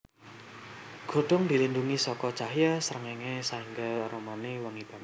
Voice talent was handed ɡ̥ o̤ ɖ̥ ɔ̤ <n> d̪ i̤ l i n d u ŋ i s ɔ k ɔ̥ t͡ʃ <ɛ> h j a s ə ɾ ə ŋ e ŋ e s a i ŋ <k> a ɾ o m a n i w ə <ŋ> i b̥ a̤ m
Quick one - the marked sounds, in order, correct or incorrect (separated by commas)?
incorrect, incorrect, incorrect, correct